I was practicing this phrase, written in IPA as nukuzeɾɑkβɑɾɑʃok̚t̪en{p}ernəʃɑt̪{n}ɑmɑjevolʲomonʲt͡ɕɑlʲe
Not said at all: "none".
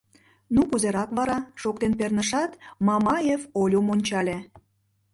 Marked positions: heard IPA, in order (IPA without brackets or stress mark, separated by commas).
p, m